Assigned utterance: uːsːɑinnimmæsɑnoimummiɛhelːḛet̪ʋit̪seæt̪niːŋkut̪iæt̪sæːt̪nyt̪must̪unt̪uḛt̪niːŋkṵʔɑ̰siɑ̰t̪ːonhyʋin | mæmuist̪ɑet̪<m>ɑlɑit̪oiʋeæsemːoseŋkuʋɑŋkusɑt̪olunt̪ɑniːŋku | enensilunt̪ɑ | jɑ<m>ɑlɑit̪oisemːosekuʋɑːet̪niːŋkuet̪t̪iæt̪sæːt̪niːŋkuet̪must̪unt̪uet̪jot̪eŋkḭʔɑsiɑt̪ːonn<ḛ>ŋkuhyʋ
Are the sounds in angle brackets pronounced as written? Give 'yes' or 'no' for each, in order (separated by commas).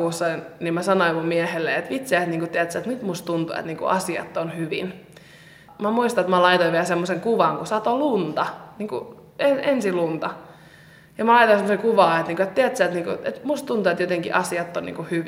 yes, yes, no